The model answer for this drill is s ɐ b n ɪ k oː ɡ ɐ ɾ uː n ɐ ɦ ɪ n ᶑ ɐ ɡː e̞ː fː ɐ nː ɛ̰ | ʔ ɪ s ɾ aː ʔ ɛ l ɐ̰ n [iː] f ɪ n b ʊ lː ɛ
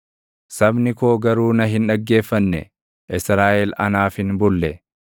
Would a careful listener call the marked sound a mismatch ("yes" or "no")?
yes